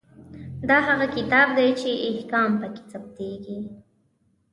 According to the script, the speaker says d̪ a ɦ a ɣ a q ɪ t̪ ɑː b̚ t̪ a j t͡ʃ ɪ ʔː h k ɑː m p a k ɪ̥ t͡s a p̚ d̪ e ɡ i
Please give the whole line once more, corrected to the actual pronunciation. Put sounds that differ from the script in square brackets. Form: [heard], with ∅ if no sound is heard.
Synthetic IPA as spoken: d̪ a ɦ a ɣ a [k] ɪ t̪ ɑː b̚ [d̪] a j t͡ʃ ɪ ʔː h k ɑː m p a k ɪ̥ t͡s a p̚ [t̪] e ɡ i